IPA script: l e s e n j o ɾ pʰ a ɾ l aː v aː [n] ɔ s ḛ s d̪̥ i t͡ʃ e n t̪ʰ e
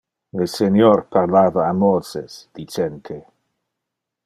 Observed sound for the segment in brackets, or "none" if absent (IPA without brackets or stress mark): m